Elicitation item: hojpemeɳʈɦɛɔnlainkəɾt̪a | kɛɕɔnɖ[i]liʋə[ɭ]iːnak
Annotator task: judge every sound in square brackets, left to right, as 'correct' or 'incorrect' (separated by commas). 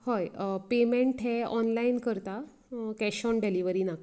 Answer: incorrect, incorrect